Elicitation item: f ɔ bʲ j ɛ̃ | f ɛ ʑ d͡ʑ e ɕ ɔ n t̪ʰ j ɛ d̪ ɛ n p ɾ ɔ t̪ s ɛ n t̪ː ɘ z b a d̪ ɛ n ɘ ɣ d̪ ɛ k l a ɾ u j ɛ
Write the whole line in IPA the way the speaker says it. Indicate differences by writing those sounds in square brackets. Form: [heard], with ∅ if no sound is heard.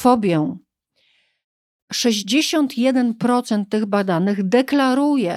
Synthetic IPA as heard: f ɔ bʲ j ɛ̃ | [ʂ] ɛ ʑ d͡ʑ e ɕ ɔ n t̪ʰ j ɛ d̪ ɛ n p ɾ ɔ t̪ s ɛ n t̪ː ɘ [ɣ] b a d̪ [a] n ɘ ɣ d̪ ɛ k l a ɾ u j ɛ